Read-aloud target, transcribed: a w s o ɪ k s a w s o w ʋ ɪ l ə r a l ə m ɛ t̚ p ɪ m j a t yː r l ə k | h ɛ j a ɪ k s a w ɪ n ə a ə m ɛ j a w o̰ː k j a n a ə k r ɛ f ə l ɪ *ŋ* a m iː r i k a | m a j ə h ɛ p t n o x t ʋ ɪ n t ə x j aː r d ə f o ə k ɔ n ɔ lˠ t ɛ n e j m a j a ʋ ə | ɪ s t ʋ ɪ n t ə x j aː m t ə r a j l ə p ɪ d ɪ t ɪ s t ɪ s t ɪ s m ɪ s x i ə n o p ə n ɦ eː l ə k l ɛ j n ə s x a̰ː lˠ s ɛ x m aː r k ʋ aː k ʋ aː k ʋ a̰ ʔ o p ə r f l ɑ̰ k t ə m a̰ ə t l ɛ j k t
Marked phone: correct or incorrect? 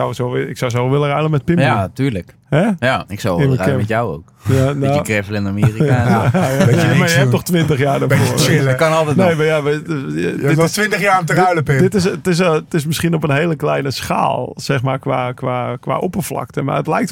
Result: incorrect